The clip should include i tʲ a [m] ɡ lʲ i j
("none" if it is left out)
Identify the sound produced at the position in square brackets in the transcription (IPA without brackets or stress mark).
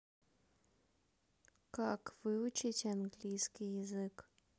n